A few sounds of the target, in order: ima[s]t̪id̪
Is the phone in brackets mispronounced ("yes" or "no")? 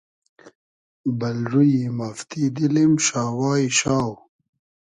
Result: yes